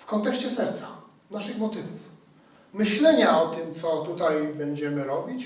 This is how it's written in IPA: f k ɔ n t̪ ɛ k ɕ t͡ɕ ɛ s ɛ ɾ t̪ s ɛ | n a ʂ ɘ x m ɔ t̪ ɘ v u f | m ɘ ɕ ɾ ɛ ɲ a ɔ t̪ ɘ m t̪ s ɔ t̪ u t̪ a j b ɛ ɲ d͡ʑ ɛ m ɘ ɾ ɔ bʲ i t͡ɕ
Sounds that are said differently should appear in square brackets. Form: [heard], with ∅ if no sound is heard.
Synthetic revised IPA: f k ɔ n t̪ ɛ k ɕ t͡ɕ ɛ s ɛ ɾ t̪ s [a] | n a ʂ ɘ x m ɔ t̪ ɘ v u f | m ɘ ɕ [l] ɛ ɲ a ɔ t̪ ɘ m t̪ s ɔ t̪ u t̪ a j b ɛ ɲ d͡ʑ ɛ m ɘ ɾ ɔ bʲ i t͡ɕ